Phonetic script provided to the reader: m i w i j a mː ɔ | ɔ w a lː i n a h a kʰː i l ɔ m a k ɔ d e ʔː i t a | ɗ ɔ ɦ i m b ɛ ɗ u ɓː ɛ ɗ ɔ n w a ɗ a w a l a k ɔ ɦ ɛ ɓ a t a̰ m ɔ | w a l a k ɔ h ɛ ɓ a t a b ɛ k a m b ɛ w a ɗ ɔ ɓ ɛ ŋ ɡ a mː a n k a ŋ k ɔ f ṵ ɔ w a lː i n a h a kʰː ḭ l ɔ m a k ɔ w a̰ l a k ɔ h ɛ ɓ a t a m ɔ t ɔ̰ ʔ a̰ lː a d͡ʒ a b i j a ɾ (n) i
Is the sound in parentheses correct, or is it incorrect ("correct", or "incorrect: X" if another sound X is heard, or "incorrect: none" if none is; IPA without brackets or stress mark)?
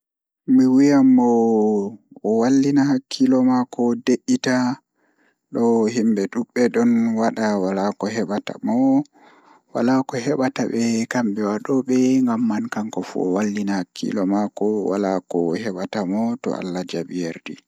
incorrect: d